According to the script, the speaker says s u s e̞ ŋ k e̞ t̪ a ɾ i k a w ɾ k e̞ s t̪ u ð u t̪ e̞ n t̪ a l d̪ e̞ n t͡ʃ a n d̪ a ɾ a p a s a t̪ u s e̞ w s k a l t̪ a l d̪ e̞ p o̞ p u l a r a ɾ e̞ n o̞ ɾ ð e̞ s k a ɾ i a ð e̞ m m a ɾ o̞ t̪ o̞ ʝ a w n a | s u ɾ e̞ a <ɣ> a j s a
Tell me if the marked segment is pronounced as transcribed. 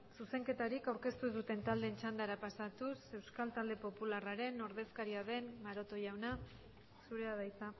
no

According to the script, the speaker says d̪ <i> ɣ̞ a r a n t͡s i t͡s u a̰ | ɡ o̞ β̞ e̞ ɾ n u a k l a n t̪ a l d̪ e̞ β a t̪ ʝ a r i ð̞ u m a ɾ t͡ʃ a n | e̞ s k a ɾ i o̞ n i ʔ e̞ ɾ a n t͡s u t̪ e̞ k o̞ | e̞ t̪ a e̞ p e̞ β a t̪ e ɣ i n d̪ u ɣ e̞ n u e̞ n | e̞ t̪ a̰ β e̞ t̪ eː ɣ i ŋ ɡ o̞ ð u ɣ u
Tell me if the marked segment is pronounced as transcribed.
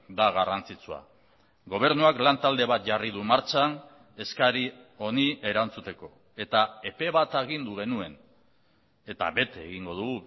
no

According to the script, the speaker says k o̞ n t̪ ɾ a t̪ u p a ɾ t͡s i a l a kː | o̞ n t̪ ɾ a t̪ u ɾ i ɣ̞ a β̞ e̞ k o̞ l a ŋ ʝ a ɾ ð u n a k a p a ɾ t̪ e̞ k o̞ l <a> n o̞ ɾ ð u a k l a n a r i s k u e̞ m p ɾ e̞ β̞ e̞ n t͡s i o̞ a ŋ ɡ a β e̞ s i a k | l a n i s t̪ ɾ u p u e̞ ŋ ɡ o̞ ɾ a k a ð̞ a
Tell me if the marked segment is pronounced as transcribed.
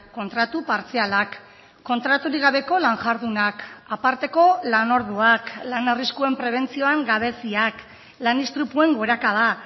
yes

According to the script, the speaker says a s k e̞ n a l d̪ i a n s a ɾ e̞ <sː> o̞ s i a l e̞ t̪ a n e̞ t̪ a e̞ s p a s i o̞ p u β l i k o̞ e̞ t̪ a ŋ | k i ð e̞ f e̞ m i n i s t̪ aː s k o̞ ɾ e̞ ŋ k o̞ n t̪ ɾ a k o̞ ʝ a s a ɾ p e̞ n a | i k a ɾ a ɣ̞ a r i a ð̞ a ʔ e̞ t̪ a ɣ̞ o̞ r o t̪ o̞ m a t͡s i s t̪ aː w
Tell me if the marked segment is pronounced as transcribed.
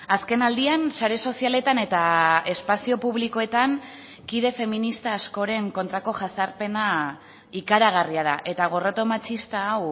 no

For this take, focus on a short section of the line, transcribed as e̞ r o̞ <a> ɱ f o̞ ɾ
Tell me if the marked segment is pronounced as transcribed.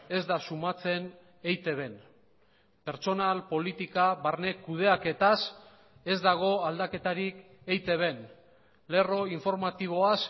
no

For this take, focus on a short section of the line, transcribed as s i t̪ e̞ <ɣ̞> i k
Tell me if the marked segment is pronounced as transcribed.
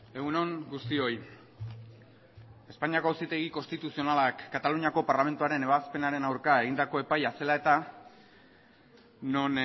yes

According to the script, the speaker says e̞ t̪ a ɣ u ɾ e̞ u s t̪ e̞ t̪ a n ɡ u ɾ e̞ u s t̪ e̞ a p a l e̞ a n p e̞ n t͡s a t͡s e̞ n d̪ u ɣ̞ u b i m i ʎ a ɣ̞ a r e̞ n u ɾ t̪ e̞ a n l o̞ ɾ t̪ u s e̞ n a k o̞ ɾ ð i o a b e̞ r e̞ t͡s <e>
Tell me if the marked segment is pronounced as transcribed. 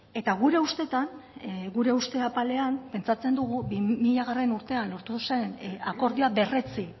no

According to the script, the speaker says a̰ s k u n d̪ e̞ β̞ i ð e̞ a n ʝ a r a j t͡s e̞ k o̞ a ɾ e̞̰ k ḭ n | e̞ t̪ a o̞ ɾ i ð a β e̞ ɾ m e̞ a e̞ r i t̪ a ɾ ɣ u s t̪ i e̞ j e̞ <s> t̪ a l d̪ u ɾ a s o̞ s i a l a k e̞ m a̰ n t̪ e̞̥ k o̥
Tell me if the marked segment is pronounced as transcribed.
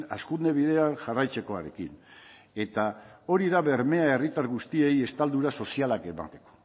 yes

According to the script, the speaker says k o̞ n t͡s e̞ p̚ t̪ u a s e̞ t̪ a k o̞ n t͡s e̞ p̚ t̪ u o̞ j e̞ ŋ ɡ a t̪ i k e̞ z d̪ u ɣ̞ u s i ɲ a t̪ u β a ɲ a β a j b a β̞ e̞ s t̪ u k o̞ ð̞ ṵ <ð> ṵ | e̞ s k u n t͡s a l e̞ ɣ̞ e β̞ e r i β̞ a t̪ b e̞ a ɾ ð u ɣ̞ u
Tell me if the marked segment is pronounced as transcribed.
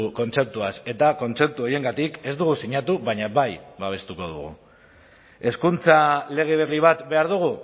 no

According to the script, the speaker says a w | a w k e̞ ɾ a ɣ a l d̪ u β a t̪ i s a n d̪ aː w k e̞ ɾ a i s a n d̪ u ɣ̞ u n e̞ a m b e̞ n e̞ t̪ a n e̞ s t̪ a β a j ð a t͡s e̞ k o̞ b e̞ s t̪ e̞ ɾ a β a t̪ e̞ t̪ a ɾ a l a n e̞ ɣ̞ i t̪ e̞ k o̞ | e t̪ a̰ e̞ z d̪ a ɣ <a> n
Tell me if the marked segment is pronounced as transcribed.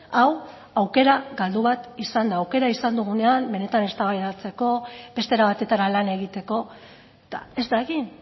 no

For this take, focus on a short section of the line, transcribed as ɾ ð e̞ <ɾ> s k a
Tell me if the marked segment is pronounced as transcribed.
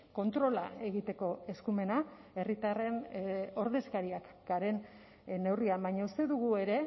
no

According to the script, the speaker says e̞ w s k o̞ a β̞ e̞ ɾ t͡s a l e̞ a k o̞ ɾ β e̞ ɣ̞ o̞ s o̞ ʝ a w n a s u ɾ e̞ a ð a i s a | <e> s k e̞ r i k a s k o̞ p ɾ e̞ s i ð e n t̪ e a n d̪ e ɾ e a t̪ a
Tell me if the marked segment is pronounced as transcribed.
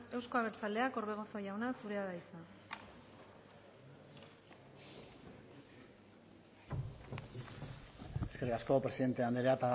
yes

